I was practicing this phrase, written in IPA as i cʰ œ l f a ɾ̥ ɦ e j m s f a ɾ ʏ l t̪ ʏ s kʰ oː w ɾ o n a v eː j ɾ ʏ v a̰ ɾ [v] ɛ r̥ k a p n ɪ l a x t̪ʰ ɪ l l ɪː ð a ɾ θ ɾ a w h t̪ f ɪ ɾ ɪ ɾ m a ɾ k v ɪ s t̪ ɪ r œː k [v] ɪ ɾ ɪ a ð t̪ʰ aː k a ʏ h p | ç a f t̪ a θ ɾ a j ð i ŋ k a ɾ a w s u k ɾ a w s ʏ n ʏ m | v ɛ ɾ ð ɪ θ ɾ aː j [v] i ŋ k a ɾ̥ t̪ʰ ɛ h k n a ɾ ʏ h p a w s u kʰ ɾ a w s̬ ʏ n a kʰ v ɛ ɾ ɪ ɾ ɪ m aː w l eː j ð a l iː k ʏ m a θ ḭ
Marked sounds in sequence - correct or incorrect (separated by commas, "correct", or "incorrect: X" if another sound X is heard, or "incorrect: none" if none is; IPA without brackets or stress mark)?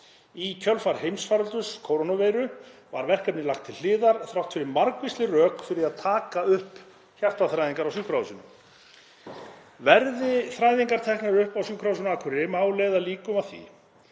correct, incorrect: f, incorrect: ð